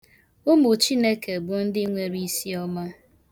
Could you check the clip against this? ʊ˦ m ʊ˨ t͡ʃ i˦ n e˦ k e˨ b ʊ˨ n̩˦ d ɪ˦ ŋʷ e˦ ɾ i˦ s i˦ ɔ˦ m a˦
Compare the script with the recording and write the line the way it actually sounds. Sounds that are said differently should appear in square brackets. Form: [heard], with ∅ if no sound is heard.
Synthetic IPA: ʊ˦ m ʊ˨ t͡ʃ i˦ n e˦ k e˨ b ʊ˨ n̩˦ d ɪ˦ ŋʷ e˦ ɾ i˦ s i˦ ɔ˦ m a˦